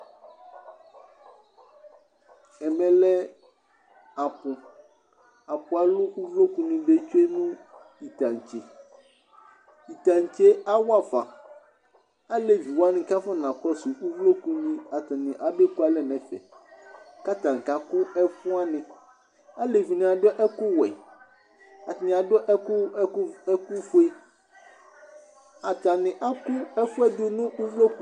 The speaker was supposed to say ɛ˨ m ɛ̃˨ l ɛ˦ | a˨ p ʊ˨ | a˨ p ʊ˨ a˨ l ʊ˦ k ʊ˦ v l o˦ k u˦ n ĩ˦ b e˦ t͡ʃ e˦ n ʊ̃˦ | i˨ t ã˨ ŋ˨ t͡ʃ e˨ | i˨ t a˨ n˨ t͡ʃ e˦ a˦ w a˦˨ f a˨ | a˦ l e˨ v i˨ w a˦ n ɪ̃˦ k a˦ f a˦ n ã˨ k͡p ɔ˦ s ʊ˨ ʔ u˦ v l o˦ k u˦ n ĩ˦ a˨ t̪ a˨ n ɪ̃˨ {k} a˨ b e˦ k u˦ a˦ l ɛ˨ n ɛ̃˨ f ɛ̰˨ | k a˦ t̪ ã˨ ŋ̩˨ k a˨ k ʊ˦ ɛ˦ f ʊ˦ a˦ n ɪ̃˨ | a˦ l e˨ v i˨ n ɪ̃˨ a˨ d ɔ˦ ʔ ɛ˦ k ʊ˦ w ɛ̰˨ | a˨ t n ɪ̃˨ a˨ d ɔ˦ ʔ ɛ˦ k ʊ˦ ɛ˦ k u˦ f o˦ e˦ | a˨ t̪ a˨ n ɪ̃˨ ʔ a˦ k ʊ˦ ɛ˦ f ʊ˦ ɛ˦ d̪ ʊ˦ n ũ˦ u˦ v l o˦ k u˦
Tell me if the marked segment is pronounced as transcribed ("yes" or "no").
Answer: no